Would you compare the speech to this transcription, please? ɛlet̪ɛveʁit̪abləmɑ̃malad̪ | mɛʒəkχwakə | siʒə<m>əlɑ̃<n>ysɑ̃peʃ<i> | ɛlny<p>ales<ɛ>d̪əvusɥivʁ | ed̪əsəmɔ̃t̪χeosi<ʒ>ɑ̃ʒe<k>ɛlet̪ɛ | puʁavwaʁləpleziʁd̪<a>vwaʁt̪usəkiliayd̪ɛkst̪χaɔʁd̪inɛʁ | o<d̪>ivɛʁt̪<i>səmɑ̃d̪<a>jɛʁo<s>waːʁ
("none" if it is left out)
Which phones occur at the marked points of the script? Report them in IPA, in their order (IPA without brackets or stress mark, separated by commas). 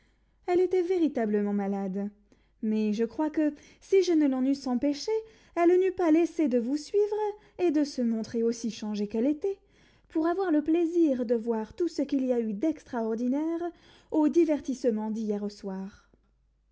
n, n, e, p, e, ʃ, k, ə, d̪, i, i, s